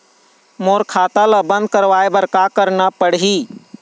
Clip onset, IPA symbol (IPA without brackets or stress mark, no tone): m